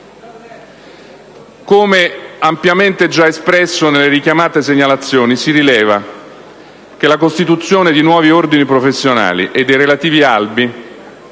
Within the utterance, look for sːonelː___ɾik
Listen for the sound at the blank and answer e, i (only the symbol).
e